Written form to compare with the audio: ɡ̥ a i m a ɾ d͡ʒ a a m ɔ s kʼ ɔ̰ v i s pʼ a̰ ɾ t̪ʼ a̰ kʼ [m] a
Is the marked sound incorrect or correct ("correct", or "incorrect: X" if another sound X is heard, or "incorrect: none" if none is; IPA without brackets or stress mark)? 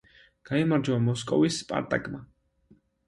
correct